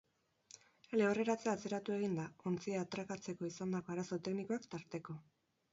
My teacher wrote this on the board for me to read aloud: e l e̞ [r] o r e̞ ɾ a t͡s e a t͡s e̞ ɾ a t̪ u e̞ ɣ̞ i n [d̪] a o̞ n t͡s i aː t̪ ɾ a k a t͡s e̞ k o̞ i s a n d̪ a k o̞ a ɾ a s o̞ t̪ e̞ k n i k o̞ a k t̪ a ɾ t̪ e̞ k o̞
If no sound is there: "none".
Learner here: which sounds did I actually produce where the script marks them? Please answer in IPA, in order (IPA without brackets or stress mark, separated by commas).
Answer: none, d̪